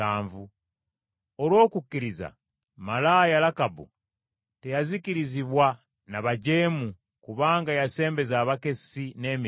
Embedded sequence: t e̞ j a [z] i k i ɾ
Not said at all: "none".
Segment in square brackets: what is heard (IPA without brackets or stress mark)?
z